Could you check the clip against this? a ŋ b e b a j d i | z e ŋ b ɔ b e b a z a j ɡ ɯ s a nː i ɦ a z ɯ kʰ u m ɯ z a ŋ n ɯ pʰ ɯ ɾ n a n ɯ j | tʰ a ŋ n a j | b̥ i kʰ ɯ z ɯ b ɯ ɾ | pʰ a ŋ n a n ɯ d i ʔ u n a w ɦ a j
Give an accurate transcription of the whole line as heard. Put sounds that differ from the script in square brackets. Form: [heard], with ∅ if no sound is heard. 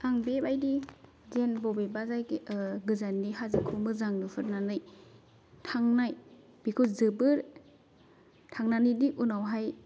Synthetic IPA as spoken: a ŋ b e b a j d i | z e [n] b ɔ b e b a z a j ɡ ɯ [z] a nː i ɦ a z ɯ kʰ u m ɯ z a ŋ n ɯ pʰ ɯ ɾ n a n ɯ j | tʰ a ŋ n a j | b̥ i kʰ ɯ z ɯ b ɯ ɾ | [tʰ] a ŋ n a n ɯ d i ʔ u n a w ɦ a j